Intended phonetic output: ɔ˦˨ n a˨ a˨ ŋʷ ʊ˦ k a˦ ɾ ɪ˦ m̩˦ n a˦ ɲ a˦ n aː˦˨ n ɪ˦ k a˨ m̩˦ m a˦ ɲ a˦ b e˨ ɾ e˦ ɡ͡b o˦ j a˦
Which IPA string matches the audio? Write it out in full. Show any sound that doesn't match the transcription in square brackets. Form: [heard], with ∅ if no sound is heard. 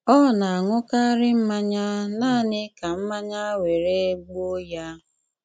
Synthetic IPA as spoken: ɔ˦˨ n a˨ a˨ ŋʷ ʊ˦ k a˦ ɾ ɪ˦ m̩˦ [m] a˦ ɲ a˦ n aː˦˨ n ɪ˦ k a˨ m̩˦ m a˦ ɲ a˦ [w] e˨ ɾ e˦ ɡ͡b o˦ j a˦

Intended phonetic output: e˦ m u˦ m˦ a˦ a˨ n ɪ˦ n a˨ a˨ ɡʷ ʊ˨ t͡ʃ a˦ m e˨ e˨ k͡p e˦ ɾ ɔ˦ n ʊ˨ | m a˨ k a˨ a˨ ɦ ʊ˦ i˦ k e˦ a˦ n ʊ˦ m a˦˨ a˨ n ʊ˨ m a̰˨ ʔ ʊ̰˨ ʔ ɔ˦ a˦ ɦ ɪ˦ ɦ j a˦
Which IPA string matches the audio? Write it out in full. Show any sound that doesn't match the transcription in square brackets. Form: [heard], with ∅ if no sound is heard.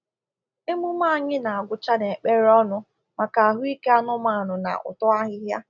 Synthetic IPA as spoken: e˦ m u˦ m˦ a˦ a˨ [ɲ] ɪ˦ n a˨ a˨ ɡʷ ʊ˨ t͡ʃ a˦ [n] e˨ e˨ k͡p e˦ ɾ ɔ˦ n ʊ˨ | m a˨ k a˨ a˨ ɦ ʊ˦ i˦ k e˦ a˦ n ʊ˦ m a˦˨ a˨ n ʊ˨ [n] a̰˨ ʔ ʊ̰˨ [t] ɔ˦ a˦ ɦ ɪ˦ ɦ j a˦

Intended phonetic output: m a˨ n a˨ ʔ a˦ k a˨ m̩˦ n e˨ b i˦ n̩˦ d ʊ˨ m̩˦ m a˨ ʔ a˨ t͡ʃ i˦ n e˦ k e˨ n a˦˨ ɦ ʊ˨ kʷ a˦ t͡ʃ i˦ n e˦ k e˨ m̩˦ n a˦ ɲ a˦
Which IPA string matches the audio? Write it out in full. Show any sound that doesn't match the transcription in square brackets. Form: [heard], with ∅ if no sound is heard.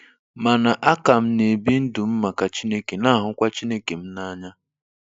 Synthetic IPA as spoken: m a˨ n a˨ ʔ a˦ k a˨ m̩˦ n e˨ b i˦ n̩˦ d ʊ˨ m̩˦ m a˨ [k] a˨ t͡ʃ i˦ n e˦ k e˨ n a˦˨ ɦ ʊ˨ kʷ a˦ t͡ʃ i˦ n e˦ k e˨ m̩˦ n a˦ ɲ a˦

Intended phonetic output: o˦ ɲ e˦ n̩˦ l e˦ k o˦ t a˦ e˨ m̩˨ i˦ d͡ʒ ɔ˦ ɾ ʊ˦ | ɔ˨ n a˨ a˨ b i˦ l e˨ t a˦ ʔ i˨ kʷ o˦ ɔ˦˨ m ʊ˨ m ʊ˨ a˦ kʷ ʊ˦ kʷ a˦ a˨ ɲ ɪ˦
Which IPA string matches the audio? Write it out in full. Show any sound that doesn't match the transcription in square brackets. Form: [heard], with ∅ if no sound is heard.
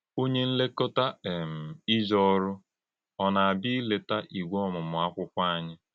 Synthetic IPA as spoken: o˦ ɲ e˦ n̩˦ l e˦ k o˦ t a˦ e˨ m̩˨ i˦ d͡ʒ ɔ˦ ɾ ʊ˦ | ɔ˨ n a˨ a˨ b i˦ l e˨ t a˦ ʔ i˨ [ɡʷ] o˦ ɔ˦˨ m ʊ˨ m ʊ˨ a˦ kʷ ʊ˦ kʷ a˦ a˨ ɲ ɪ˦

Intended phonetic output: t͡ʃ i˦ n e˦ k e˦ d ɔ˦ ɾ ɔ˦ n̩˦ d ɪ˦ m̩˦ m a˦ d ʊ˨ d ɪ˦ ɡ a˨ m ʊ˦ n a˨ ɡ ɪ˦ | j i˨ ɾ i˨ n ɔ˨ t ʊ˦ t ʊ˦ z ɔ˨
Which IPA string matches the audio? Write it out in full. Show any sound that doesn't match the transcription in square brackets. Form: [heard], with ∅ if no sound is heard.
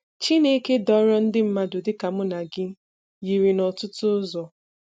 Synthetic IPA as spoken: t͡ʃ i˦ n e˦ k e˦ d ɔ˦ ɾ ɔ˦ n̩˦ d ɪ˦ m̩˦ m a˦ d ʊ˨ d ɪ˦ [k] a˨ m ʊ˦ n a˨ ɡ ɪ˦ | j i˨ ɾ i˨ n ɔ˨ t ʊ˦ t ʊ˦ z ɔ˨

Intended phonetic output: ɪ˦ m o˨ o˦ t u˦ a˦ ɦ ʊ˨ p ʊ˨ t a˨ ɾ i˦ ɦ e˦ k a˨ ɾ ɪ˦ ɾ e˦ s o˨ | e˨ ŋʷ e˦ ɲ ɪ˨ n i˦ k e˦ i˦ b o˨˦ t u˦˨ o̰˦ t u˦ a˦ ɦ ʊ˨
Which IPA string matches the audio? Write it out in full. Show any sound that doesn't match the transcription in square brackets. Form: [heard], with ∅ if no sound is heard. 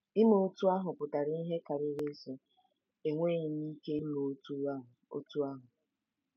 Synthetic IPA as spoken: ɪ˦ m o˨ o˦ t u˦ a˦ ɦ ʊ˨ p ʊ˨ t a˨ ɾ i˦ ɦ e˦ k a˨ ɾ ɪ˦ ɾ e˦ s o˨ | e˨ ŋʷ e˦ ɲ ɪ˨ n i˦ k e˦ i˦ [m] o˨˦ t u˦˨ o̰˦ t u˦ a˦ ɦ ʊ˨

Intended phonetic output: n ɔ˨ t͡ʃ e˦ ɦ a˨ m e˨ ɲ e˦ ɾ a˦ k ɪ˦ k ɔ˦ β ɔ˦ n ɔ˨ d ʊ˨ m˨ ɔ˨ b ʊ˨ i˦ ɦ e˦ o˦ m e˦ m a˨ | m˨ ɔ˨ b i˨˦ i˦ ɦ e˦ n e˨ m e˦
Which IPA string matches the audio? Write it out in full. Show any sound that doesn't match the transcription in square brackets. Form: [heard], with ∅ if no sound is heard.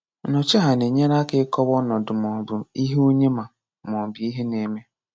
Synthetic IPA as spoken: n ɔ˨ t͡ʃ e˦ ɦ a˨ [n] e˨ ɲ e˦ ɾ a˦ k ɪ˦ k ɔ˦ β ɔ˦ n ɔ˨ d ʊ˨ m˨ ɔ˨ b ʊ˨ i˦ ɦ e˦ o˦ [ɲ] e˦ m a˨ | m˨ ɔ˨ b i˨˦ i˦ ɦ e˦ n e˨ m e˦

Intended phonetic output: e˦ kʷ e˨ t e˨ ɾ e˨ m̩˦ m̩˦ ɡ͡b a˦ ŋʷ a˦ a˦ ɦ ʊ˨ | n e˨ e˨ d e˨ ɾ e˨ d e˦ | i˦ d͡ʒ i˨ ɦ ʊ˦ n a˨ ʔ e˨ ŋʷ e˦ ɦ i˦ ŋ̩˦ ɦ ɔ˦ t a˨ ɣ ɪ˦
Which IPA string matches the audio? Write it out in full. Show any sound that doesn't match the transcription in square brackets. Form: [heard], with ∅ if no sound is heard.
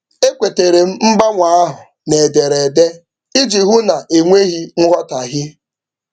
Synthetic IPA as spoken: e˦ kʷ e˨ t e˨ ɾ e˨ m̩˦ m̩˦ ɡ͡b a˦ ŋʷ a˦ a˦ ɦ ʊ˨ | n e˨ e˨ d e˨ ɾ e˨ d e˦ | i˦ d͡ʒ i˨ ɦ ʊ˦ n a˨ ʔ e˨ ŋʷ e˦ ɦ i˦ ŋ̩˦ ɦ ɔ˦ t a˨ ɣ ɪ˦

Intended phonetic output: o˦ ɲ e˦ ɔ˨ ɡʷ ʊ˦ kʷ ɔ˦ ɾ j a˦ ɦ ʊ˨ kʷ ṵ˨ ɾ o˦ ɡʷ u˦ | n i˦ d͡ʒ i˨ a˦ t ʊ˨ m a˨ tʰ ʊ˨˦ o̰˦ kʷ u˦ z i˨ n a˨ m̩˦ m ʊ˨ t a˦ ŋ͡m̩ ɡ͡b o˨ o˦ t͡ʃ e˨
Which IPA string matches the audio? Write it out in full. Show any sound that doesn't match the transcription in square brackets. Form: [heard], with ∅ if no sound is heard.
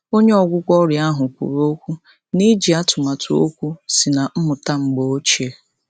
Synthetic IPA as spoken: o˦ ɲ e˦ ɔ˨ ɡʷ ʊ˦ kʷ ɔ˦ ɾ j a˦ ɦ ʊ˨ kʷ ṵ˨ ɾ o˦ [kʷ] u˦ | n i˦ d͡ʒ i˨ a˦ t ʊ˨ m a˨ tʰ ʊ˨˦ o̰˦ kʷ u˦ [s] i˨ n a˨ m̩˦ m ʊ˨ t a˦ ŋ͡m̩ ɡ͡b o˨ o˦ t͡ʃ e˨

